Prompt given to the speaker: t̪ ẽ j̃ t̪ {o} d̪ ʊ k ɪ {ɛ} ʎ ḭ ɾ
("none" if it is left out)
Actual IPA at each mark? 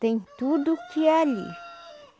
u, a

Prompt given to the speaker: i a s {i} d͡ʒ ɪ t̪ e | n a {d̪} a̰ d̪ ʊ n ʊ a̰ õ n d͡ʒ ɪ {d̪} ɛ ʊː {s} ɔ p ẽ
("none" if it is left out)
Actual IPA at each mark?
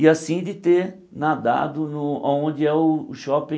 ĩ, d̪, none, ʃ

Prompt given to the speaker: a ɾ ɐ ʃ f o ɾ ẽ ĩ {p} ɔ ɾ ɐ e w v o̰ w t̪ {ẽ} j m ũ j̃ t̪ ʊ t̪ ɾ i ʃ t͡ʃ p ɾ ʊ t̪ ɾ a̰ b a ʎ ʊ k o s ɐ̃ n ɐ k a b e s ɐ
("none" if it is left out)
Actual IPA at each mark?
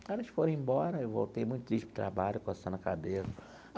b, e

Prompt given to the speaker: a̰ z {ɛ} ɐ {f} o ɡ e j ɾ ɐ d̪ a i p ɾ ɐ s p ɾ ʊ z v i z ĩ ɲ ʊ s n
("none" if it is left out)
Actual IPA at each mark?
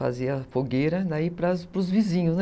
i, f

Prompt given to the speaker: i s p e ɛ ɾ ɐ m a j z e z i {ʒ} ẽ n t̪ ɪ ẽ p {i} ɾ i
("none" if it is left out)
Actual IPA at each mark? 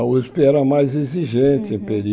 ʒ, e

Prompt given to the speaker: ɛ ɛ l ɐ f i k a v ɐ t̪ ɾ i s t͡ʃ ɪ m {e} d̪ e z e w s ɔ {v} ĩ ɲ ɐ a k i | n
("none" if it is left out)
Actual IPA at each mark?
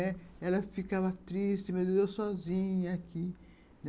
e, z

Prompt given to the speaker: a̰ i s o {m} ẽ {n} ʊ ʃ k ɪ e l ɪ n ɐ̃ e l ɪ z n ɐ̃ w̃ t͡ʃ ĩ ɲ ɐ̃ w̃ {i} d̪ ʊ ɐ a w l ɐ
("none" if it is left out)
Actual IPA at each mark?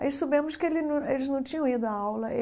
b, m, i

